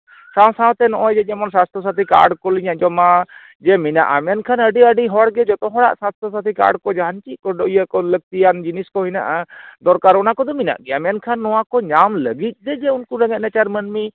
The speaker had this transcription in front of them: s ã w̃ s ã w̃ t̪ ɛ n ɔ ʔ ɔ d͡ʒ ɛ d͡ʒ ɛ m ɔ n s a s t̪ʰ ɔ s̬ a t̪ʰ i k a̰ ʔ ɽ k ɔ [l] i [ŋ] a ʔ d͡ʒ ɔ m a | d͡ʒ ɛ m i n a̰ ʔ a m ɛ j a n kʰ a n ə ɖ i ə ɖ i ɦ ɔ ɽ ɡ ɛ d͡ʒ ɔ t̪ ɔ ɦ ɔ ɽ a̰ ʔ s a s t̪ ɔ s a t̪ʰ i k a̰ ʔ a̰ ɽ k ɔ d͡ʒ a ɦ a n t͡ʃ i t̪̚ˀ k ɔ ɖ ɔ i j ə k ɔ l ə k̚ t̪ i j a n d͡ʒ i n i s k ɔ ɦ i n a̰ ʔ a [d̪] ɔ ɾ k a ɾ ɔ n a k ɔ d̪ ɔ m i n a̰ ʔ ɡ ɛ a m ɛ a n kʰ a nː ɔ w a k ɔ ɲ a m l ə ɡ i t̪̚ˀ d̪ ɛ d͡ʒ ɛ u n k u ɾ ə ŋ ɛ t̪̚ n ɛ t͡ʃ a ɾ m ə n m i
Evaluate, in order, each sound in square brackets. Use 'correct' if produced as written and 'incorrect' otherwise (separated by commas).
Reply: correct, incorrect, correct